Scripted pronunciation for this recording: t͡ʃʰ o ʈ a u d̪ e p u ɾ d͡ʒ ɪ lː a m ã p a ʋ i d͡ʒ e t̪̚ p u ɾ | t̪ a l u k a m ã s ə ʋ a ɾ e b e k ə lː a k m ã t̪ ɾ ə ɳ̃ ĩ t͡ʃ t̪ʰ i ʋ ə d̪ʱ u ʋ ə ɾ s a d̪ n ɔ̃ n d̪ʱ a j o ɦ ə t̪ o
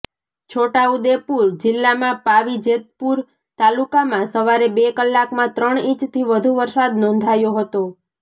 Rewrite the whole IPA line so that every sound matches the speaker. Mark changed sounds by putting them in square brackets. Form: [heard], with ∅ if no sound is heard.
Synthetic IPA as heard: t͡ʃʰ o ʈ a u d̪ e p u ɾ d͡ʒ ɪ lː a m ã p a ʋ i d͡ʒ e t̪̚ p u ɾ | t̪ a l u k a m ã s ə ʋ a ɾ e b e k ə lː a k m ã t̪ ɾ ə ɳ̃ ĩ t͡ʃ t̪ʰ i ʋ ə d̪ʱ u ʋ ə ɾ s a d̪ n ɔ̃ n d̪ʱ a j o ɦ ə t̪ o

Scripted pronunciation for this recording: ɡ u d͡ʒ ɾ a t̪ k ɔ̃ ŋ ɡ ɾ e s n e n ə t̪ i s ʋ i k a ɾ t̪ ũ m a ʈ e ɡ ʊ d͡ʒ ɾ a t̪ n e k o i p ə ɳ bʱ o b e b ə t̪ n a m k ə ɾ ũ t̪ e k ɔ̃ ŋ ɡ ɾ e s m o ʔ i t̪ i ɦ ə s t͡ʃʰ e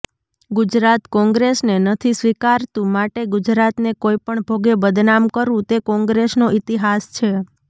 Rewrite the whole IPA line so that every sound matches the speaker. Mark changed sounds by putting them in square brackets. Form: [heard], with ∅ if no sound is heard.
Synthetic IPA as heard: ɡ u d͡ʒ ɾ a t̪ k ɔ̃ ŋ ɡ ɾ e s n e n ə [t̪ʰ] i s ʋ i k a ɾ t̪ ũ m a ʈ e ɡ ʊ d͡ʒ ɾ a t̪ n e k o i p ə ɳ bʱ o [ɡ] e b ə [d̪] n a m k ə ɾ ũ t̪ e k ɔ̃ ŋ ɡ ɾ e s [n] o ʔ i t̪ i ɦ [a] s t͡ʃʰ e

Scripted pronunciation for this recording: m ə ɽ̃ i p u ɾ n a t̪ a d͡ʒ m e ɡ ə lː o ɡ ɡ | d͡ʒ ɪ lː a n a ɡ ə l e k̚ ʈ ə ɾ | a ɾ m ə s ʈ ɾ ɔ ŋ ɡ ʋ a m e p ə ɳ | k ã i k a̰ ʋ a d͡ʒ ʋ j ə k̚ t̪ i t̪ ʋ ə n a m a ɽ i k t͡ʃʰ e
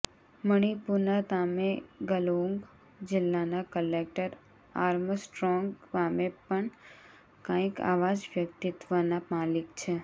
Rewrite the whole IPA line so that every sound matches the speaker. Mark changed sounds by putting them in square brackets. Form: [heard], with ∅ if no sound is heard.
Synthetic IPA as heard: m ə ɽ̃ i p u ɾ n a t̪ a [∅] m e ɡ ə [l] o [ŋ] ɡ | d͡ʒ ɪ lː a n a [k] ə l e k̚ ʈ ə ɾ | a ɾ m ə s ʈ ɾ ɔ ŋ ɡ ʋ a m e p ə ɳ | k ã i k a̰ ʋ a d͡ʒ ʋ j ə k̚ t̪ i t̪ ʋ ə n a m a [l] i k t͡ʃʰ e

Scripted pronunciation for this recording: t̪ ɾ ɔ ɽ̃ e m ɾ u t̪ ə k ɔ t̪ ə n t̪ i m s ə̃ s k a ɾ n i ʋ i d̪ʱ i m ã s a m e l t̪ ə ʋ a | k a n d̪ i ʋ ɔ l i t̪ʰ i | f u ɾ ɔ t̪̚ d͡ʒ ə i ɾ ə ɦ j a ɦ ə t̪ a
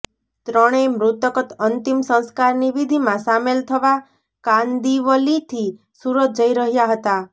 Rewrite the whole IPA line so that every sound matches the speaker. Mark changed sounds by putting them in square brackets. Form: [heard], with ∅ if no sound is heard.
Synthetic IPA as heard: t̪ ɾ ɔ ɽ̃ e m ɾ u t̪ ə k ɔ t̪ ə n t̪ i m s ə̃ s k a ɾ n i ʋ i d̪ʱ i m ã s a m e l [t̪ʰ] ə ʋ a | k a n d̪ i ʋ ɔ l i t̪ʰ i | [s] u ɾ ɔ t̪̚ d͡ʒ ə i ɾ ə ɦ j a ɦ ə t̪ a

